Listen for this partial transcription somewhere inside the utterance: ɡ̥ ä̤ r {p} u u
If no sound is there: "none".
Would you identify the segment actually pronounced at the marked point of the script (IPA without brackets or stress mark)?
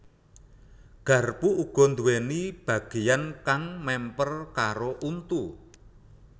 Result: p